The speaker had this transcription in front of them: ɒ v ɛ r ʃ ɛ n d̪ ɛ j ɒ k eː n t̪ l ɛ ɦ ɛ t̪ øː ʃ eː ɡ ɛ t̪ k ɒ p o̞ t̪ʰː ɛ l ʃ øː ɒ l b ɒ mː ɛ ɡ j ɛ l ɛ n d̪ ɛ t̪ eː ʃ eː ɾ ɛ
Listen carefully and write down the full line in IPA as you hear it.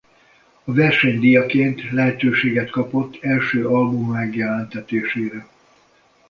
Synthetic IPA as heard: ɒ v ɛ r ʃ ɛ ɲ d̪ i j ɒ k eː n t̪ l ɛ ɦ ɛ t̪ øː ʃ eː ɡ ɛ t̪ k ɒ p o̞ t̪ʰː ɛ l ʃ øː ɒ l b u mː ɛ ɡ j ɛ l ɛ n t̪ ɛ t̪ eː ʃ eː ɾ ɛ